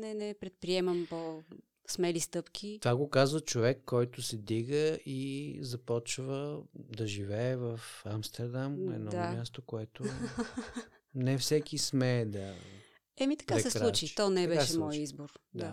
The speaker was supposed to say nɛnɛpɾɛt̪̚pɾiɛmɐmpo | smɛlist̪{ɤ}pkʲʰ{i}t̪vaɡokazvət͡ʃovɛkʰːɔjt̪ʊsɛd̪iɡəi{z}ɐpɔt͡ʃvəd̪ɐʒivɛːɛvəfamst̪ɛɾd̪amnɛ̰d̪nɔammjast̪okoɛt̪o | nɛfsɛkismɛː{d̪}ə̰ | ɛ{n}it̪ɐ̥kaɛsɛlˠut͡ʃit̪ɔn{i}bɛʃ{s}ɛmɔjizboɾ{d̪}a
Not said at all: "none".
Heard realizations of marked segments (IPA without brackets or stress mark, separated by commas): ɤ, i, z, d̪, m, ɛ, ʃ, d̪